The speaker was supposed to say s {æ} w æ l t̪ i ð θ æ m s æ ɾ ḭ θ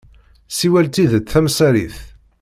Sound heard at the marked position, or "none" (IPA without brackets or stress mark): i